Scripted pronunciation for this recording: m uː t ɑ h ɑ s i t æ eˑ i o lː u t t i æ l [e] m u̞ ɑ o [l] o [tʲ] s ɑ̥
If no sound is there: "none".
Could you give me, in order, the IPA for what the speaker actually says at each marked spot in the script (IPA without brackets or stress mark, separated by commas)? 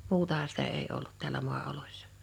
æ, l, sʲ